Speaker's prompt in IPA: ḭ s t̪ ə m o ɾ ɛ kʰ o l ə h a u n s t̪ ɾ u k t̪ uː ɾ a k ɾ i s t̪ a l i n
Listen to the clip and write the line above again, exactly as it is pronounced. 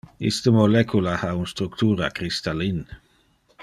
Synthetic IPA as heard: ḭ s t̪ ə m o l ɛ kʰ u l a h a u n s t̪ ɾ u k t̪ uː ɾ a k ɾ i s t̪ a l i n